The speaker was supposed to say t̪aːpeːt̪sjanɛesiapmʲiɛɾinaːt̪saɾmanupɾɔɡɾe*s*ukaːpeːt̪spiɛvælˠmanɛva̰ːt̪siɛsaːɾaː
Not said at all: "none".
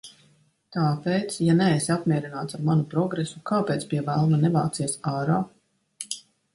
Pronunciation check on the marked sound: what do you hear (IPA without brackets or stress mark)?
s